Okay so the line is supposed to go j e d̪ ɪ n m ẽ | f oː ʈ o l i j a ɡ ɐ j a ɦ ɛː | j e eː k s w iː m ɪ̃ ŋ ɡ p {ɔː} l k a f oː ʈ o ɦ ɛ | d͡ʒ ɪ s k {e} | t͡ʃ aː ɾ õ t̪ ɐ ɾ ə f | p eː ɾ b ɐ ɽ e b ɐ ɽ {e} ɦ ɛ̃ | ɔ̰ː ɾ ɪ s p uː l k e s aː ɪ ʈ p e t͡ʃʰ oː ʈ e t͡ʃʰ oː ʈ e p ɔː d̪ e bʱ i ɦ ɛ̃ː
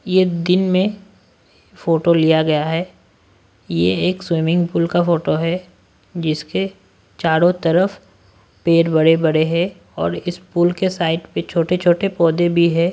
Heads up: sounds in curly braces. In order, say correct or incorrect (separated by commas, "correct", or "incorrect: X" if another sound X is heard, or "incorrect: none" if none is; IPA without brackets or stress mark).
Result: incorrect: uː, correct, correct